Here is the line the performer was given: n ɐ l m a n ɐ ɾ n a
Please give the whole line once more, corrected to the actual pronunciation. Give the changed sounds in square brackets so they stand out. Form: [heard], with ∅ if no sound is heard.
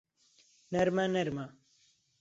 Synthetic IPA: n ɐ [ɾ] m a n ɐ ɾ [m] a